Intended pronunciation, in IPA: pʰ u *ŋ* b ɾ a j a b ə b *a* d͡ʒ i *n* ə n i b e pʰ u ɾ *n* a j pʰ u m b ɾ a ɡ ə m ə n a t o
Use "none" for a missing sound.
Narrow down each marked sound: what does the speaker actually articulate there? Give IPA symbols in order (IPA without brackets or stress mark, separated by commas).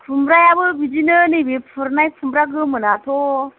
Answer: m, i, n, n